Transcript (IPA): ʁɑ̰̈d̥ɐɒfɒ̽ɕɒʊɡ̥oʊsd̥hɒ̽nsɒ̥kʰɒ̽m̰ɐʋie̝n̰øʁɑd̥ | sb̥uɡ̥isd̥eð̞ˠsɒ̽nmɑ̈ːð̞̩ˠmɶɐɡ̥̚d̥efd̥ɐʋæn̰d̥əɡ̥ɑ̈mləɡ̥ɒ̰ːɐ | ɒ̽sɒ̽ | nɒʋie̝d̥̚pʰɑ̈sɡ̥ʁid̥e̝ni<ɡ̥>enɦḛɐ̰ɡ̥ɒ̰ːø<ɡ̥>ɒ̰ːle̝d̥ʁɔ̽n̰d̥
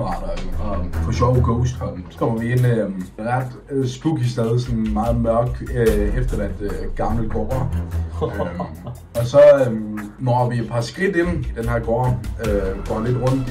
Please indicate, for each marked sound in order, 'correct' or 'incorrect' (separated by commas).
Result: incorrect, correct